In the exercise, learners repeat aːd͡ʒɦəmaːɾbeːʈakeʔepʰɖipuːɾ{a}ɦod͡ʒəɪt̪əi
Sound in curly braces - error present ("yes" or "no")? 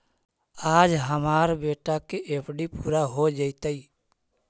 no